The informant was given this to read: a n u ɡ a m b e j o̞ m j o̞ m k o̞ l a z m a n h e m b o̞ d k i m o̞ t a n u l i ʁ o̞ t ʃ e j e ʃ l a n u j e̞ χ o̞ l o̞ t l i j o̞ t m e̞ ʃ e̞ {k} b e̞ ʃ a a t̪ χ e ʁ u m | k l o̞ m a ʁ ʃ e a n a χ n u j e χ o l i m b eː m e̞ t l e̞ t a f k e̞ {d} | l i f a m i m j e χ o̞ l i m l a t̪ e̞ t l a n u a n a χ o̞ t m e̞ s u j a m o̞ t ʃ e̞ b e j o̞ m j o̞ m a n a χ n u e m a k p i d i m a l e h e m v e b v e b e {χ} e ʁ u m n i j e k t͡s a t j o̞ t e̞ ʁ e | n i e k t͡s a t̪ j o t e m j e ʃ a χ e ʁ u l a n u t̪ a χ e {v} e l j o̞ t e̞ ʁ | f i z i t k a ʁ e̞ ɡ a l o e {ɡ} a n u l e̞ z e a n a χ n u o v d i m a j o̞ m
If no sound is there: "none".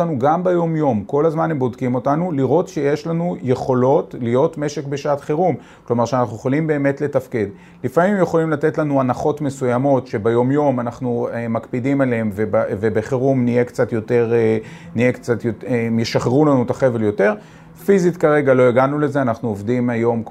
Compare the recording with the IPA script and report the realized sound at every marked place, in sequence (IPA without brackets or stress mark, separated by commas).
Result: k, d, χ, v, ɡ